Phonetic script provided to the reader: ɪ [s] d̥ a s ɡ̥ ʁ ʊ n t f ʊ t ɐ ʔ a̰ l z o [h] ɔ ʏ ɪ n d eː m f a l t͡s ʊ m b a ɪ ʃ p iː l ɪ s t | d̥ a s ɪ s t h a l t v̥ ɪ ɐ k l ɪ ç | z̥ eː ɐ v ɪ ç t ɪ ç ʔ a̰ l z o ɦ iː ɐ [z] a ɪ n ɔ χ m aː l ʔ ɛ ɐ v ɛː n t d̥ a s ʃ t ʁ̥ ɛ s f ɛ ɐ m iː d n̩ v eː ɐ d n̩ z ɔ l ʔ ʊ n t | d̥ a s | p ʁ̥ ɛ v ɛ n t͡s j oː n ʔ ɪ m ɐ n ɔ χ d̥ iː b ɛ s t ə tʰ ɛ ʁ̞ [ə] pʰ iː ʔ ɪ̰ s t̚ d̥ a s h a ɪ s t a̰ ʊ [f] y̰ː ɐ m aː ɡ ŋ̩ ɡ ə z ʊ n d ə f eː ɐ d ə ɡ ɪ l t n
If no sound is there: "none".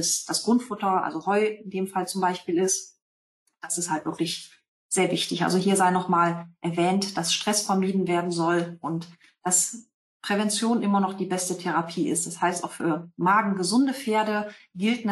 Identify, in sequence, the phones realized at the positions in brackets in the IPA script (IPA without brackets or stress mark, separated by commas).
s, h, z, a, f